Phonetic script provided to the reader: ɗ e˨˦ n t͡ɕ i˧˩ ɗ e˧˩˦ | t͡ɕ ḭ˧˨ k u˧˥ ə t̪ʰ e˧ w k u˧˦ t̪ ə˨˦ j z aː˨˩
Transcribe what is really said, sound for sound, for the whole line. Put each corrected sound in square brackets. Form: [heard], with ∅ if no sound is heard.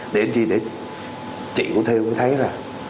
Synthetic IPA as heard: ɗ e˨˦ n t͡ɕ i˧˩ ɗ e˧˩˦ | t͡ɕ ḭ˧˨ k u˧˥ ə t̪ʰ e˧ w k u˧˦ [t̪ʰ] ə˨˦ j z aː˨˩